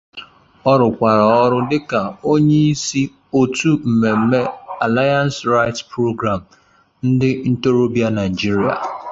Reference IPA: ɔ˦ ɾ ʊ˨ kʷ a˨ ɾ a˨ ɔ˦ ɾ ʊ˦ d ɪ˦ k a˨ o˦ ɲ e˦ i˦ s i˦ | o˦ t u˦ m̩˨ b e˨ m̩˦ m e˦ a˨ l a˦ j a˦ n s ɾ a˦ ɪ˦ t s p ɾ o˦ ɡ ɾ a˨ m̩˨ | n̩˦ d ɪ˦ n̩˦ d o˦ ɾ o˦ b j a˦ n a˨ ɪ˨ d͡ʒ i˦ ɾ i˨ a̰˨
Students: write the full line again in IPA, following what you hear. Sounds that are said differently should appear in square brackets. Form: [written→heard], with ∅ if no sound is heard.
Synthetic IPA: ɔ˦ ɾ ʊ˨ kʷ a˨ ɾ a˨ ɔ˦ ɾ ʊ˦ d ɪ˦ k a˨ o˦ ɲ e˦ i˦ s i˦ | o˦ t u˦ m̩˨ [b→m] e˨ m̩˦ m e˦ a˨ l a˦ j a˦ n s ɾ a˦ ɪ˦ t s p ɾ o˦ ɡ ɾ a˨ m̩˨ | n̩˦ d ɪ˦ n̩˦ [d→t] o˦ ɾ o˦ b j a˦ n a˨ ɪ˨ d͡ʒ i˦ ɾ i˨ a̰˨